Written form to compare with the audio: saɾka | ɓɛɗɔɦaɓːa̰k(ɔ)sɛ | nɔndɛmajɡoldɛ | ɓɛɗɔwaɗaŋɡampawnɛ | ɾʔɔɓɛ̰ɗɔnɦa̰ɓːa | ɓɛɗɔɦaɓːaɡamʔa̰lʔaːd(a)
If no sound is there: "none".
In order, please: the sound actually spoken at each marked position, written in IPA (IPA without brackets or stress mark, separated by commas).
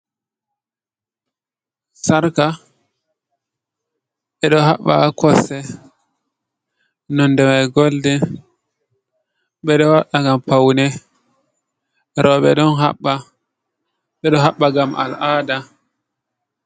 ɔ, a